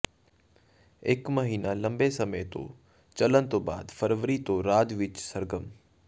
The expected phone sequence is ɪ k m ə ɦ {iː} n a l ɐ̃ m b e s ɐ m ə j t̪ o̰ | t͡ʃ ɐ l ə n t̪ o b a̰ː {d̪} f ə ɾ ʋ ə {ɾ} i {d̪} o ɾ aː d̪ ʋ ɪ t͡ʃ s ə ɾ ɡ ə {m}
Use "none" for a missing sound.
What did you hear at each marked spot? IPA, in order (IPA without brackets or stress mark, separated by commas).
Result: iː, d̪, ɾ, t̪, m